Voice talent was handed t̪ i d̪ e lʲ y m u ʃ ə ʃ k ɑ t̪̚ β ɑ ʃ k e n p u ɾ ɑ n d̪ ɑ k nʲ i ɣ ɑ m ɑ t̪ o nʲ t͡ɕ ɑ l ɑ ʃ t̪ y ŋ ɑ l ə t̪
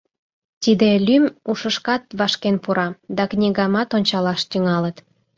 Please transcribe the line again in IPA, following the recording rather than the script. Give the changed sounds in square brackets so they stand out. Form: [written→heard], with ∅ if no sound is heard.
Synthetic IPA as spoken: t̪ i d̪ e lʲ y m u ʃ ə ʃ k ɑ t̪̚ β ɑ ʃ k e n p u ɾ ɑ [n→∅] d̪ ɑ k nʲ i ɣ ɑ m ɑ t̪ o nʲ t͡ɕ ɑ l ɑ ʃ t̪ y ŋ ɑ l ə t̪

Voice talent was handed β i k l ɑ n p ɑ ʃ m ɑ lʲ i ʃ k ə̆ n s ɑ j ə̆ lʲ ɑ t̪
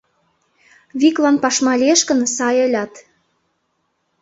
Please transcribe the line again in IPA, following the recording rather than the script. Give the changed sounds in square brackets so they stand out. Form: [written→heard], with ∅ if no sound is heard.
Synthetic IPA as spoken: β i k l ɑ n p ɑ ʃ m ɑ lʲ [i→e] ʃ k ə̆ n s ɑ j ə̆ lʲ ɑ t̪

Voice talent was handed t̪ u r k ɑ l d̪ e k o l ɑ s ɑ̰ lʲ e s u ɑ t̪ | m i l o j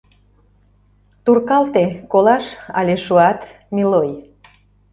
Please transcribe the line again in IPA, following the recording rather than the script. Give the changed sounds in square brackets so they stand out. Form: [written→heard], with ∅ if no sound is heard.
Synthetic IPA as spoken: t̪ u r k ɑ l [d̪→t̪] e k o l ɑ [s→ʃ] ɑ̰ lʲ e [s→ʃ] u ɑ t̪ | m i l o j

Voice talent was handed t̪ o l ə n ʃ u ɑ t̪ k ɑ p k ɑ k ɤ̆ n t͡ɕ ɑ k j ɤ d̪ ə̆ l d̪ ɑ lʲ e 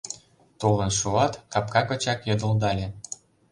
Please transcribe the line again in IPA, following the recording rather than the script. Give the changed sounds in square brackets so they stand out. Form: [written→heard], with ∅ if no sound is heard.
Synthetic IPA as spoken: t̪ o l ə n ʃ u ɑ t̪ k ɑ p k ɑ k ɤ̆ [n→∅] t͡ɕ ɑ k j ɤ d̪ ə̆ l d̪ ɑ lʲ e

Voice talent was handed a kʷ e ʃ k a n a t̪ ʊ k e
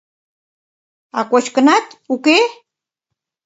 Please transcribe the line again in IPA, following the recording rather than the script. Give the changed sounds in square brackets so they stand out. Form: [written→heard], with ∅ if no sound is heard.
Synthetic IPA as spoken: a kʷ [e→a] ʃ k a n a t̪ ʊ k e

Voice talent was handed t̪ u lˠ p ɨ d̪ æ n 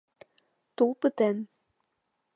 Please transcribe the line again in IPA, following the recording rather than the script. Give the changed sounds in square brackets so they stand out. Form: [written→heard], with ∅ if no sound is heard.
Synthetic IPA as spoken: t̪ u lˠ p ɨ [d̪→t̪] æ n

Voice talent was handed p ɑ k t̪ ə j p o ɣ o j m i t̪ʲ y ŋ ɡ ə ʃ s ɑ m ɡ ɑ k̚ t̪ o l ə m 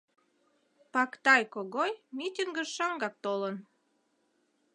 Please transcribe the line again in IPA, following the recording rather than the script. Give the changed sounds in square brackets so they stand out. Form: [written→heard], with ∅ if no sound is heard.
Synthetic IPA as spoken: p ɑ k t̪ [ə→ɑ] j [p→k] o ɣ o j m i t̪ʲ [y→i] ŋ ɡ ə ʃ [s→ʃ] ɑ [m→ŋ] ɡ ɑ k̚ t̪ o l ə [m→n]

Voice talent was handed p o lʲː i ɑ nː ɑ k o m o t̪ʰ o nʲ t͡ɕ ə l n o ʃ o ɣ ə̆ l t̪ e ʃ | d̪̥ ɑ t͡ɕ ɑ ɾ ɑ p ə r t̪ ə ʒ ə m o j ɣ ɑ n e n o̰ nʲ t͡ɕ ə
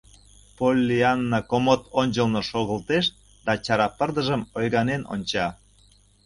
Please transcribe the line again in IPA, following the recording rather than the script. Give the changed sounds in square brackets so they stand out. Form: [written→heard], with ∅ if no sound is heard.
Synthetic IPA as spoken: p o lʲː i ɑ nː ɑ k o m o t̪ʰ o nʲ t͡ɕ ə l n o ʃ o ɣ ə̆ l t̪ e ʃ | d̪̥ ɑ t͡ɕ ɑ ɾ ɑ p ə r [t̪→d̪] ə ʒ ə m o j ɣ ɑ n e n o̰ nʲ t͡ɕ [ə→ɑ]

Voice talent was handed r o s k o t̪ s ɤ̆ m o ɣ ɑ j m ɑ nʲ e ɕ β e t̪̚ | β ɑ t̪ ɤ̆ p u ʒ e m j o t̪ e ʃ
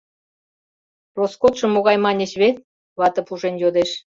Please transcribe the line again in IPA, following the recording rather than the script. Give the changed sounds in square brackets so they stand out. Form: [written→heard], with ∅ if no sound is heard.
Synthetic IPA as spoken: r o s k o t̪ [s→ʃ] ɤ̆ m o ɣ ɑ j m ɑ nʲ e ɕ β e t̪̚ | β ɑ t̪ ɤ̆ p u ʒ e [m→n] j o [t̪→d̪] e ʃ

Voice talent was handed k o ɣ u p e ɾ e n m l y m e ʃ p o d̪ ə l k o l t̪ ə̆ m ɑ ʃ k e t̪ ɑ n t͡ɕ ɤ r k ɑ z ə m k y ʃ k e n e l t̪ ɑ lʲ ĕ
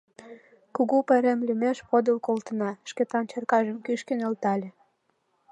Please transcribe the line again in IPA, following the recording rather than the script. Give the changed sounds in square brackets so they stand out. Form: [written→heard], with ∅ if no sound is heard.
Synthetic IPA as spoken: k [o→u] ɣ u p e ɾ e [n→∅] m l y m e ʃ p o d̪ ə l k o l t̪ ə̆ [m→n] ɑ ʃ k e t̪ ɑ n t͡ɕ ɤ r k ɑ [z→ʒ] ə m k y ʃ k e n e l t̪ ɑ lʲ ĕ

